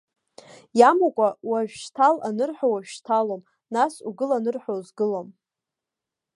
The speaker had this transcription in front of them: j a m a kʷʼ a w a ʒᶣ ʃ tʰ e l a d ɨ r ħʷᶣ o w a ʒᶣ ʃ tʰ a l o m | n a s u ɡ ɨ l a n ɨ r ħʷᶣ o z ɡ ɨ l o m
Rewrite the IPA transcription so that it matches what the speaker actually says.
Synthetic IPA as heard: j a m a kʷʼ a w a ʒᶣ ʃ tʰ a l a n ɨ r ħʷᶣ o w a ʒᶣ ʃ tʰ a l o m | n a s u ɡ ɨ l a n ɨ r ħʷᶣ o z ɡ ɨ l o m

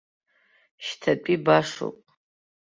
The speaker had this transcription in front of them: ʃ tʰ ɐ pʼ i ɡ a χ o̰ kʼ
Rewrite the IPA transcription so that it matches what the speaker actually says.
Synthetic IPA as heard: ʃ tʰ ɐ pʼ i b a ʂ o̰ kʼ

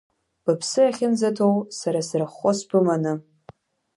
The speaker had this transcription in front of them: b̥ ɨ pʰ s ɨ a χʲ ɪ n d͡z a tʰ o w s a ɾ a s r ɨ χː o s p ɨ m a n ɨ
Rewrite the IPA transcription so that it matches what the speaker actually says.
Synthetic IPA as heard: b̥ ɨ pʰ s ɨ a χʲ ɪ n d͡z a tʰ o w s a ɾ a s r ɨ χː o s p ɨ m a n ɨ

